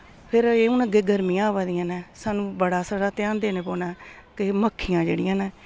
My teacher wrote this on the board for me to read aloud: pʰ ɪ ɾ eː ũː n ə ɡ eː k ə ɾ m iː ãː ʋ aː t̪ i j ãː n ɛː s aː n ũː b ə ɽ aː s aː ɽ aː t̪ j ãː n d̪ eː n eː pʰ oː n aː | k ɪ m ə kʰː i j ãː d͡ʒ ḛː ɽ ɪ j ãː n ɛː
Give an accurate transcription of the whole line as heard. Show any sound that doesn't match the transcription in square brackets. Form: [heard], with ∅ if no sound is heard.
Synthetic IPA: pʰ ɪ ɾ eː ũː n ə ɡ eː [ɡ] ə ɾ m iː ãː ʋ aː [d̪] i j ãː n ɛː s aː n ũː b ə ɽ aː s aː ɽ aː t̪ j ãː n d̪ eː n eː [p] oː n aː | k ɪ m ə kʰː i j ãː d͡ʒ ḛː ɽ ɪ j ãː n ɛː